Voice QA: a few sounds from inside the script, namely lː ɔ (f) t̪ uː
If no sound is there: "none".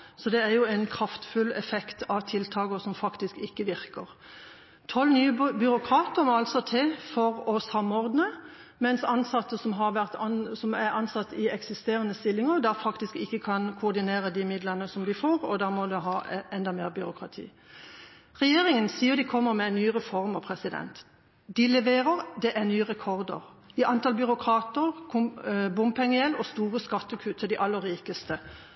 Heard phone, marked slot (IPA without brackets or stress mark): s